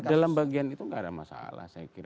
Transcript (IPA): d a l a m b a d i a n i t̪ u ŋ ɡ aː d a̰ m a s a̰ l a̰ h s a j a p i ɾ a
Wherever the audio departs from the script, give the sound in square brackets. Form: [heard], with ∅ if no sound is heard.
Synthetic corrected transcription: d a l a m b a [ɡ] i a n i t̪ u ŋ ɡ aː d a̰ m a s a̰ l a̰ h s a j a [k] i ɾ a